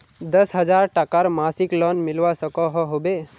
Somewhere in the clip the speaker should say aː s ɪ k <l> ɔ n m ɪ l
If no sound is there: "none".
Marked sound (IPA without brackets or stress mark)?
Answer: l